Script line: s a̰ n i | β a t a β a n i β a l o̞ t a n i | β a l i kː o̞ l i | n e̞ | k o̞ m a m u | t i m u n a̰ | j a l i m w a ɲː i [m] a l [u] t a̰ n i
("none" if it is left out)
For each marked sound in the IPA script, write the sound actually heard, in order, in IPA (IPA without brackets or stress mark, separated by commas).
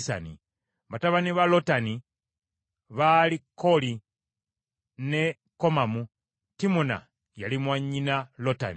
n, o